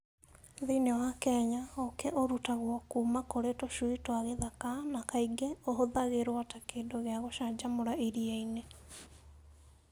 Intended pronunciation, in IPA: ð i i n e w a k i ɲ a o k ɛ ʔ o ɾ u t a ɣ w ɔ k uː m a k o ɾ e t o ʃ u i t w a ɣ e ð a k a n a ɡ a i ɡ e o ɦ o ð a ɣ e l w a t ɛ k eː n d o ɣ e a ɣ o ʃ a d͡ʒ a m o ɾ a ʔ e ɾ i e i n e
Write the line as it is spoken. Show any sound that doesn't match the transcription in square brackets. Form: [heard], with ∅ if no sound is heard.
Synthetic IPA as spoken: ð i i n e w a k [ɛ] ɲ a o k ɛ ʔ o ɾ u t a ɣ w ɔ k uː m a k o ɾ e t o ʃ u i t w a ɣ e ð a k a n a [k] a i ɡ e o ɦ o ð a ɣ e [ɾ] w a t [a] k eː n d o ɣ e a ɣ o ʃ a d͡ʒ a m o ɾ a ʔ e ɾ i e i n e